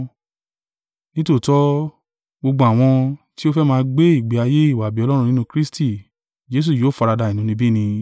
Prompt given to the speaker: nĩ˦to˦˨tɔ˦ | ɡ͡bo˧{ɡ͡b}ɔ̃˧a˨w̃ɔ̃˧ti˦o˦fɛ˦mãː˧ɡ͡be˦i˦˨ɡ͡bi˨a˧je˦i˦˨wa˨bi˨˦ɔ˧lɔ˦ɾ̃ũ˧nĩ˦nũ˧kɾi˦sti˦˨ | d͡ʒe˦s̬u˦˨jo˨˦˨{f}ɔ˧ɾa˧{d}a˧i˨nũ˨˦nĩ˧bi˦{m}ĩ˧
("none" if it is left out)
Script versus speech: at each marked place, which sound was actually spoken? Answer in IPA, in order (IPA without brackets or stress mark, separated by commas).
ɡ͡b, f, d, n